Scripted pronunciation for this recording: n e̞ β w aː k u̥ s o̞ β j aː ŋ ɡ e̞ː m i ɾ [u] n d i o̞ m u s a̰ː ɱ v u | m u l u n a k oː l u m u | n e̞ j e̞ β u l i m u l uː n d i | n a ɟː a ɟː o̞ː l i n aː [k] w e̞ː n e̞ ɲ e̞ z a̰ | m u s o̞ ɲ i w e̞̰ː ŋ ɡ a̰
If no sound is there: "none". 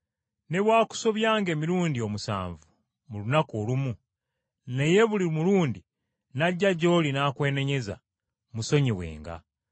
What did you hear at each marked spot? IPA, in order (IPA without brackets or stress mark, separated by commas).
uː, k